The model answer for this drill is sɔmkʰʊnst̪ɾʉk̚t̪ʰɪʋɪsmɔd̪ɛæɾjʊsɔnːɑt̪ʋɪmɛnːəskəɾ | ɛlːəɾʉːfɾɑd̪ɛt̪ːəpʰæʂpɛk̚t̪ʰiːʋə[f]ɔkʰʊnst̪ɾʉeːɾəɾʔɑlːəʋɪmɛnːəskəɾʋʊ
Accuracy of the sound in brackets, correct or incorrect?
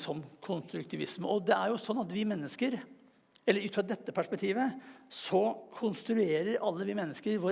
incorrect